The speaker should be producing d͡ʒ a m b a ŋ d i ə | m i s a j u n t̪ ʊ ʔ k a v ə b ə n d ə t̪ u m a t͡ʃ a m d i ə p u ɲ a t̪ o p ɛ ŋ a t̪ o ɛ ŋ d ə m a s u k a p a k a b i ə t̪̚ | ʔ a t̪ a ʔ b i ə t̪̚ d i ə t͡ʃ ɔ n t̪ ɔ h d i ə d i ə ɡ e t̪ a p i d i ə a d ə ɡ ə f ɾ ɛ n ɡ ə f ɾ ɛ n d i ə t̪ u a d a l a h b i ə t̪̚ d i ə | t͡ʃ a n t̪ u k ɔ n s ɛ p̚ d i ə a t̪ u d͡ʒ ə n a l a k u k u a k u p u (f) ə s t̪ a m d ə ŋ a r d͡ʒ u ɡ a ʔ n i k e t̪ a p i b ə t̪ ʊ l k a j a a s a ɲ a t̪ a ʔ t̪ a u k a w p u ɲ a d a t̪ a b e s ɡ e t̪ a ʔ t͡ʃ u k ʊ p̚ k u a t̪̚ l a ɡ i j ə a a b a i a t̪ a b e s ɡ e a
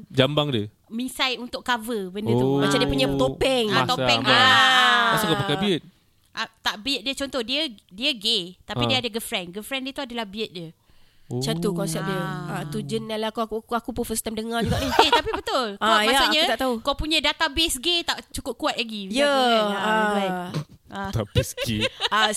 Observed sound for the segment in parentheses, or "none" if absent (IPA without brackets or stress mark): f